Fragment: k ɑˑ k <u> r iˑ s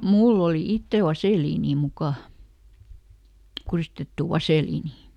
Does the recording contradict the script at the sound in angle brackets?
no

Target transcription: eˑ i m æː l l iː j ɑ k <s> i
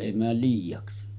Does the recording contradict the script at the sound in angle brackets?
no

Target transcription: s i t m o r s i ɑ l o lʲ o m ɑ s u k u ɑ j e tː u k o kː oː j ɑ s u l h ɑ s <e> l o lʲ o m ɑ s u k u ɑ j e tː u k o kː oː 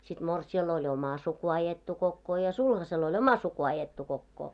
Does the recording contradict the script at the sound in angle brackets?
no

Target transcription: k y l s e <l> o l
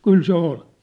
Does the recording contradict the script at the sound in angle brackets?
yes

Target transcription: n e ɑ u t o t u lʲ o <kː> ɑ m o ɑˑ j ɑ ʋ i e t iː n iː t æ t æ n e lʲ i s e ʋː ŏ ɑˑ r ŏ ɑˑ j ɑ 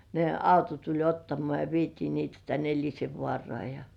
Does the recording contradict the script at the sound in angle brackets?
yes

